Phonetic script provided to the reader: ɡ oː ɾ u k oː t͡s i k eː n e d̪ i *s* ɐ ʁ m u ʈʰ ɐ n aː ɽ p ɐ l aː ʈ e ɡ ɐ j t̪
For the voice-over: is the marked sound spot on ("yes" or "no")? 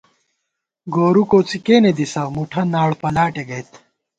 yes